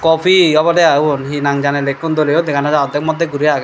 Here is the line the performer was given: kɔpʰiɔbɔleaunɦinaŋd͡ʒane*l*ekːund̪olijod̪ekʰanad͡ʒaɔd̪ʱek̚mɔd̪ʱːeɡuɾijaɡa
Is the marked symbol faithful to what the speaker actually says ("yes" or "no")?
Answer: yes